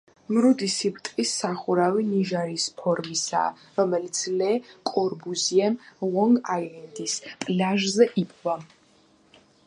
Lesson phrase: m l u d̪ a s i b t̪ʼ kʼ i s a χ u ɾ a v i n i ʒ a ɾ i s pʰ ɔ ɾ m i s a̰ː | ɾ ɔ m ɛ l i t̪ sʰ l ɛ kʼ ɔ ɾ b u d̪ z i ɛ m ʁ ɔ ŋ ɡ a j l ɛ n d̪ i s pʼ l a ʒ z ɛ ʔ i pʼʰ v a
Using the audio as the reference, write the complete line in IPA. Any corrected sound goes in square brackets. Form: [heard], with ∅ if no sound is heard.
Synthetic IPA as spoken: m [ɾ] u d̪ [i] s i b t̪ʼ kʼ i s a χ u ɾ a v i n i ʒ a ɾ i s pʰ ɔ ɾ m i s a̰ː | ɾ ɔ m ɛ l i t̪ sʰ l ɛ kʼ ɔ ɾ b u [∅] z i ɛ m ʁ ɔ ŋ ɡ a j l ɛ n d̪ i s pʼ l a ʒ z ɛ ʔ i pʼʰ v a